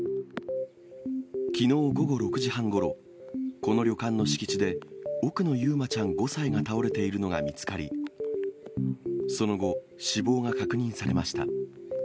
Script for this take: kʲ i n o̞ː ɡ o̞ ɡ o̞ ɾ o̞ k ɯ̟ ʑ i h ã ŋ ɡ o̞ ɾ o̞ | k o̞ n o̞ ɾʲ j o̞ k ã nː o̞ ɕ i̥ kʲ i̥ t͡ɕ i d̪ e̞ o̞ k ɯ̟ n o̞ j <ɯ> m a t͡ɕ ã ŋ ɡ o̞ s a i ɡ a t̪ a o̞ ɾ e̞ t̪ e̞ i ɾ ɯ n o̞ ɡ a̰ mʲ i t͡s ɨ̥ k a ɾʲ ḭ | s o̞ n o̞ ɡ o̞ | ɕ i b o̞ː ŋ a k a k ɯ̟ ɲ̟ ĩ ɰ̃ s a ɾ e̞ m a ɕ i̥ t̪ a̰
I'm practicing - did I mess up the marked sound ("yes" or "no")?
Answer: yes